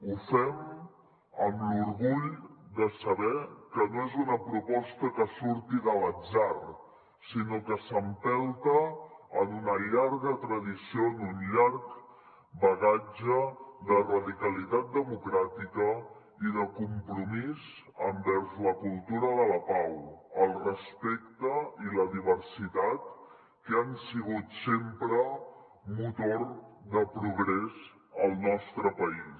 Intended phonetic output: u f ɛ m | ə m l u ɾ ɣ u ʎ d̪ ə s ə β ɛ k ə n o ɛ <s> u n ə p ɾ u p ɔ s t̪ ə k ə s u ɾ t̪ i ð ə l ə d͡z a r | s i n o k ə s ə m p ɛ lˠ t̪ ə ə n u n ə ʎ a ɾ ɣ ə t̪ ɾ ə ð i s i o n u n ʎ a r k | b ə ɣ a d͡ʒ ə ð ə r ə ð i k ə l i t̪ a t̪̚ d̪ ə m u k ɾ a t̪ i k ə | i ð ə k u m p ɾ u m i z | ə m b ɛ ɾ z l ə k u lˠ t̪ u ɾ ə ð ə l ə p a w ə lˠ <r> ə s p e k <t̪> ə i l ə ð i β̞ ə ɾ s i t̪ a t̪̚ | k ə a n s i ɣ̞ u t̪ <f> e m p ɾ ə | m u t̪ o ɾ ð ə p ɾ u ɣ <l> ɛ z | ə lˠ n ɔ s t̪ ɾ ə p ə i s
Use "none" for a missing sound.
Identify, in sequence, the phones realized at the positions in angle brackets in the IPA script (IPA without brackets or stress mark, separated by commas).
z, r, t̪, s, ɾ